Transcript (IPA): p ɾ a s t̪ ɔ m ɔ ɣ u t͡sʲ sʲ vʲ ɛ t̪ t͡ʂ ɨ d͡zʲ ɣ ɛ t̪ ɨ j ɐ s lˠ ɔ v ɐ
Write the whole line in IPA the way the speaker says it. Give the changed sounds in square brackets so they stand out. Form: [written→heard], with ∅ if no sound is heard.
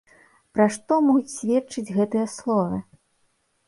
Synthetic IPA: p ɾ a [s→ʂ] t̪ ɔ m ɔ ɣ u t͡sʲ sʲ vʲ ɛ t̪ t͡ʂ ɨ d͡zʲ ɣ ɛ t̪ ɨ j ɐ s lˠ ɔ v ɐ